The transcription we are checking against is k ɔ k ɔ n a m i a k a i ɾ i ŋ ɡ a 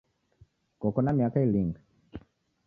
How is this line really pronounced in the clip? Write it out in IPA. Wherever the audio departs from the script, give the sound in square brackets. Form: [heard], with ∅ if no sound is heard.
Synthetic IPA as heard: k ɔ k ɔ n a m i a k a i [l] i ŋ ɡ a